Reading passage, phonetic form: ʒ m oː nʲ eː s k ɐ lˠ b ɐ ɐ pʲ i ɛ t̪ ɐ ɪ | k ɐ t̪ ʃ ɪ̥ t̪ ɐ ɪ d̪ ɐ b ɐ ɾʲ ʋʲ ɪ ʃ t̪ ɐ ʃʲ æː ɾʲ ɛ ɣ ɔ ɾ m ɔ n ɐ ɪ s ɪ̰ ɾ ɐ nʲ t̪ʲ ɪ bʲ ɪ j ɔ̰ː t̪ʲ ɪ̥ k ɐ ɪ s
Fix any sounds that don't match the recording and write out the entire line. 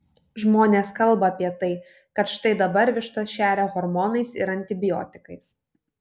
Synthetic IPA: ʒ m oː nʲ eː s k ɐ lˠ b ɐ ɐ pʲ i ɛ t̪ ɐ ɪ | k ɐ t̪ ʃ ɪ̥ t̪ ɐ ɪ d̪ ɐ b ɐ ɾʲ ʋʲ ɪ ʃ t̪ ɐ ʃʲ æː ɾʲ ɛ ɣ ɔ ɾ m ɔ n ɐ ɪ s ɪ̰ ɾ ɐ nʲ t̪ʲ ɪ bʲ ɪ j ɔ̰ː t̪ʲ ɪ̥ k ɐ ɪ s